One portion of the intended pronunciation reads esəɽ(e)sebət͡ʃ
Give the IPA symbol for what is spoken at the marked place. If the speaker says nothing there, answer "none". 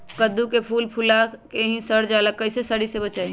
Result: i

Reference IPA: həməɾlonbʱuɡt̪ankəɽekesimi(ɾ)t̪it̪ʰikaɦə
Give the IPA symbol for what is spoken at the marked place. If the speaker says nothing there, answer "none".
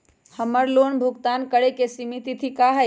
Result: none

